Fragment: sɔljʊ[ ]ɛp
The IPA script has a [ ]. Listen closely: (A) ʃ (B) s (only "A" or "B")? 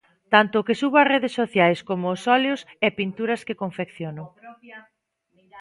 B